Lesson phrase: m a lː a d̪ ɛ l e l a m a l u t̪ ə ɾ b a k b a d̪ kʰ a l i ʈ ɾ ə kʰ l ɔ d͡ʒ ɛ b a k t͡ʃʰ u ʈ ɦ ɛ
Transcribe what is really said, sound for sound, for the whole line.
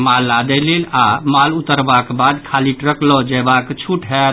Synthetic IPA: m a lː a d̪ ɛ l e l a m a l u t̪ ə ɾ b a k b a d̪ kʰ a l i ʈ ɾ ə k l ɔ d͡ʒ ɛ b a k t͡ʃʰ u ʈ ɦ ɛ